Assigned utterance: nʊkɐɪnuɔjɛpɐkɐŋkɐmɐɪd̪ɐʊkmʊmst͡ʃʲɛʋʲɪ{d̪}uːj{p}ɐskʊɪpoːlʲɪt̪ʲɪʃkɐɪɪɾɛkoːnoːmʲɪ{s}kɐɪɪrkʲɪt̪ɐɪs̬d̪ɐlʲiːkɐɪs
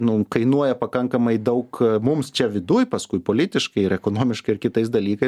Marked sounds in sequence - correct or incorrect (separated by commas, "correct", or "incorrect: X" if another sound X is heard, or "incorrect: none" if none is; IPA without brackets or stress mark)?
correct, correct, incorrect: ʃ